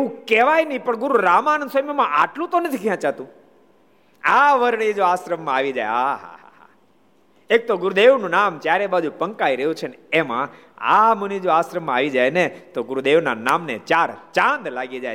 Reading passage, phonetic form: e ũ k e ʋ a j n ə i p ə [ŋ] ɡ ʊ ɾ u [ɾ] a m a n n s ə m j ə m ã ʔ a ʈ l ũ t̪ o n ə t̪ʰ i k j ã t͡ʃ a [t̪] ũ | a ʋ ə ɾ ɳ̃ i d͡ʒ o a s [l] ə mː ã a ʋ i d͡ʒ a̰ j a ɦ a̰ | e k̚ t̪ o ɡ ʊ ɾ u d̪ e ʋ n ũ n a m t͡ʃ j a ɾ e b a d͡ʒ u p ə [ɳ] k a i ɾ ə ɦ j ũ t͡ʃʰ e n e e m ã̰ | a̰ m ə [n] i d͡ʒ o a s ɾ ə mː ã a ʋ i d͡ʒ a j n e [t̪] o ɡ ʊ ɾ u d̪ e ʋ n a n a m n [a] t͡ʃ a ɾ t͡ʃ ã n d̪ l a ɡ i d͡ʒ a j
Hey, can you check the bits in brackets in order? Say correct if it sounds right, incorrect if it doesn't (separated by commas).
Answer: incorrect, correct, correct, incorrect, incorrect, correct, correct, incorrect